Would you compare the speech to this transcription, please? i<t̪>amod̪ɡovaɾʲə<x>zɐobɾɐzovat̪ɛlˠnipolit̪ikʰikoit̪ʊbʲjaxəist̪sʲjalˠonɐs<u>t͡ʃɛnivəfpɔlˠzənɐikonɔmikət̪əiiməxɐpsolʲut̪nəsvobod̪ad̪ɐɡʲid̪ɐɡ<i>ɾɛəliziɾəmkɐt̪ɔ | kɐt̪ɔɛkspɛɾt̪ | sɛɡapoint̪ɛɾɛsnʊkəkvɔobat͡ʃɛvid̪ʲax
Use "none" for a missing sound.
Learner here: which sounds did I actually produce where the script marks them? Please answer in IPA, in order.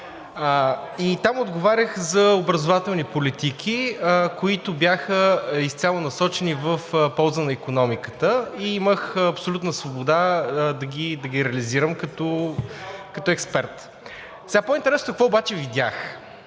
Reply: t̪, x, ɔ, i

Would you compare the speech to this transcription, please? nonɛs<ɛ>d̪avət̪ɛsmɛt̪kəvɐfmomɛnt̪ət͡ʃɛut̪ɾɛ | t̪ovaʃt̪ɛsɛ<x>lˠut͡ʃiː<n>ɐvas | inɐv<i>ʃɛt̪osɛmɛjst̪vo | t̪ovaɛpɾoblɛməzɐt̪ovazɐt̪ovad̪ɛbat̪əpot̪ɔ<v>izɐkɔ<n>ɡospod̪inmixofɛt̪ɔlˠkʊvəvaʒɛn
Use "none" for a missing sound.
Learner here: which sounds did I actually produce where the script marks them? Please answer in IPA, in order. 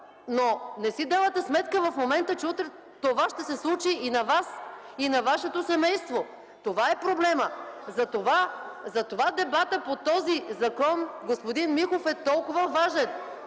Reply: i, s, n, a, z, n

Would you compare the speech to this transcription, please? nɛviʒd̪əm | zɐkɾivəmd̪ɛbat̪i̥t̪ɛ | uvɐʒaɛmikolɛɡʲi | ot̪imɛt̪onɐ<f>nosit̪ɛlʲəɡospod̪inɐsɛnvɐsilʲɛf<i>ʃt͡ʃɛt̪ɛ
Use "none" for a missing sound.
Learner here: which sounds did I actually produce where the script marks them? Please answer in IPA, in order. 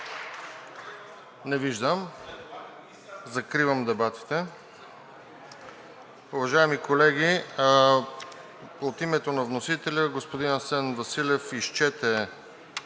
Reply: v, i

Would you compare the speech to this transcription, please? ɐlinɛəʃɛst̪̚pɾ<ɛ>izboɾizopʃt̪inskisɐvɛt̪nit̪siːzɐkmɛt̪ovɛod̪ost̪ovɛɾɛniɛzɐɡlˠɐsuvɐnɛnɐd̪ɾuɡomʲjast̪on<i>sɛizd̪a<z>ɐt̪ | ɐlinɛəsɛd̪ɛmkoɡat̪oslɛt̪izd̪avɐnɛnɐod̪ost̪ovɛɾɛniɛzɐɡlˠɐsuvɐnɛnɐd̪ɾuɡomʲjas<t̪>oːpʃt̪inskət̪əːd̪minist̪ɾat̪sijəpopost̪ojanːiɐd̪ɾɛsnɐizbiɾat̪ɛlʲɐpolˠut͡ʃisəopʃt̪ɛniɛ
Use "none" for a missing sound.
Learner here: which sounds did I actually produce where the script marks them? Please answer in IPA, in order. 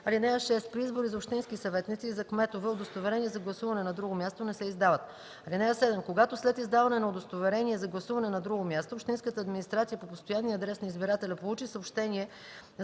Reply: i, ɛ, v, t̪

